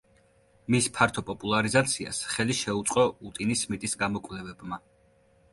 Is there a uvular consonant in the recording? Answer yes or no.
yes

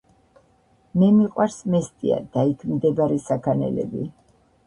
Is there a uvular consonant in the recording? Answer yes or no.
yes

